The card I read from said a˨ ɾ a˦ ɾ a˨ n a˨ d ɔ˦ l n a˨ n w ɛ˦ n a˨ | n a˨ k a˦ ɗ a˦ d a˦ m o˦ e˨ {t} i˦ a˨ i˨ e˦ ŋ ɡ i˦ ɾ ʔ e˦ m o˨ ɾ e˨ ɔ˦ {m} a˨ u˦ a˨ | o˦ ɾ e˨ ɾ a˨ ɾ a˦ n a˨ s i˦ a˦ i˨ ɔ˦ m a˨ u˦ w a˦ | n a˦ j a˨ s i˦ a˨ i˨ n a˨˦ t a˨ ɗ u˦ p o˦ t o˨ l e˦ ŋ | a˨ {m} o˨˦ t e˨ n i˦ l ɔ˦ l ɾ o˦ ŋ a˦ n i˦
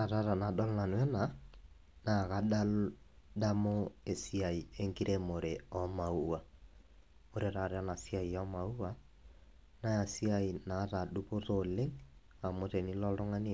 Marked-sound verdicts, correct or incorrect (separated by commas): incorrect, correct, correct